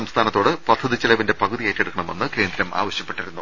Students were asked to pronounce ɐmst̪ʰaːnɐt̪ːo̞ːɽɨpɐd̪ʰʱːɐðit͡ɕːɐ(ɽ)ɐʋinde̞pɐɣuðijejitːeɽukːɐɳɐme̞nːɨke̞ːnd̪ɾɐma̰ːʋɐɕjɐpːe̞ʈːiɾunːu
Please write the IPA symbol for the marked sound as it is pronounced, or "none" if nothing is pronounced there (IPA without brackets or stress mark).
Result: l